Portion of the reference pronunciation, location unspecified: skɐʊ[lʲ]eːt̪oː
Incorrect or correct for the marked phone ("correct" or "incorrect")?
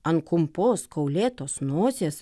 correct